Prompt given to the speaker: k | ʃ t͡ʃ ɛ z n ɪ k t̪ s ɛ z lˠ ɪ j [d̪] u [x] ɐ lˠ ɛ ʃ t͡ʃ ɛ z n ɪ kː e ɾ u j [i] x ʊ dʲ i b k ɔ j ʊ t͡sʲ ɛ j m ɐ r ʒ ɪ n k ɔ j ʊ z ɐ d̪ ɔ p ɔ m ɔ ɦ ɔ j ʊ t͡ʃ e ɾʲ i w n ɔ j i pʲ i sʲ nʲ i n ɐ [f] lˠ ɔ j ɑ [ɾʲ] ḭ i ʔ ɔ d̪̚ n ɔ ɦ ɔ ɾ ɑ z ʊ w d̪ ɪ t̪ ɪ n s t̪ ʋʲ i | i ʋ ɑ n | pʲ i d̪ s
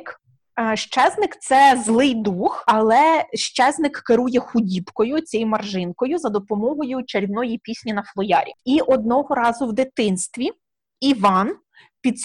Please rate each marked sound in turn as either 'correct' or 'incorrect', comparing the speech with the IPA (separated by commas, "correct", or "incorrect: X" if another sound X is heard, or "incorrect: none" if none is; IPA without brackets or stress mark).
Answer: correct, correct, incorrect: ɛ, correct, correct